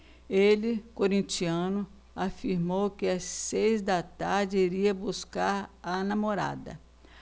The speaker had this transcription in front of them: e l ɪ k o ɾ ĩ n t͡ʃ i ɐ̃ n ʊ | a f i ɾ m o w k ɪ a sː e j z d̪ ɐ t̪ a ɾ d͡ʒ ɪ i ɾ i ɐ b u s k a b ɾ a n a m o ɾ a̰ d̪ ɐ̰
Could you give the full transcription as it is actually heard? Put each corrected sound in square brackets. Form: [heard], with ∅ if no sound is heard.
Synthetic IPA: e l ɪ k o ɾ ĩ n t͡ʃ i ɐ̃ n ʊ | a f i ɾ m o w k ɪ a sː e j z d̪ ɐ t̪ a ɾ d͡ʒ ɪ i ɾ i ɐ b u s k a [∅] ɾ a n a m o ɾ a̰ d̪ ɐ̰